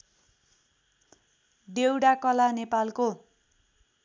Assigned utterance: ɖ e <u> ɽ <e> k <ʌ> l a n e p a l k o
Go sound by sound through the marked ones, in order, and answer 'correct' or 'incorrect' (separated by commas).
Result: incorrect, incorrect, correct